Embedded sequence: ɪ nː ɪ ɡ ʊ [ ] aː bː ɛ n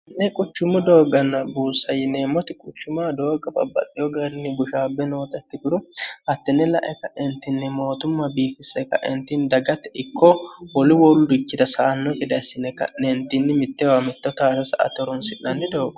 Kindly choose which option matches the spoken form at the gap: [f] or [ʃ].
ʃ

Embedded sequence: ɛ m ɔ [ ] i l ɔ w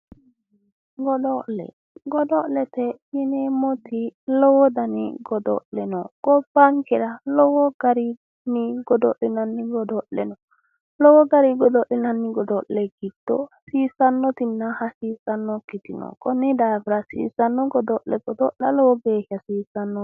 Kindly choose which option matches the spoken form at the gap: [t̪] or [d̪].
t̪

